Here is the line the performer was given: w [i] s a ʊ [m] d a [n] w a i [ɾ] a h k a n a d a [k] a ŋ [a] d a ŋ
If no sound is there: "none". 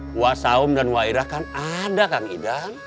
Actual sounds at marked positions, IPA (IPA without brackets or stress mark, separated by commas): a, m, n, ɾ, k, i